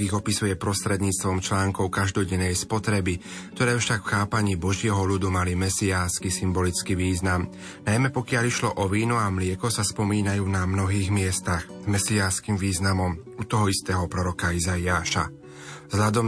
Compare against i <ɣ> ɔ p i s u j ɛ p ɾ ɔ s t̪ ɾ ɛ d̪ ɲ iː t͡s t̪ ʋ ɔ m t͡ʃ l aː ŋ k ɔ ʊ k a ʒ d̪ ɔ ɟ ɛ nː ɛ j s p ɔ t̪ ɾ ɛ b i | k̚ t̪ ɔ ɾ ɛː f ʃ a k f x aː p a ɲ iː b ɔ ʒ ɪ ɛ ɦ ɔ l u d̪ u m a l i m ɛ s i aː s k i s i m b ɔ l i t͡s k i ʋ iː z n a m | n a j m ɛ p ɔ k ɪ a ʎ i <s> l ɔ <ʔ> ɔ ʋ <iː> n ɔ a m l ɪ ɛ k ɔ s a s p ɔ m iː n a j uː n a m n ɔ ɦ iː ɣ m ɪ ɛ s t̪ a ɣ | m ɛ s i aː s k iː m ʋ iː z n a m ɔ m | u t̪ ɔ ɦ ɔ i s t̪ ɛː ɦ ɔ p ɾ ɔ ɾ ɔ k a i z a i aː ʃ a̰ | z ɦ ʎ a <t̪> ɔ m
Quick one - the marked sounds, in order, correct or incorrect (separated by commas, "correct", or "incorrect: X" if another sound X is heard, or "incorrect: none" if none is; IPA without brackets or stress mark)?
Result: correct, incorrect: ʃ, correct, correct, incorrect: d̪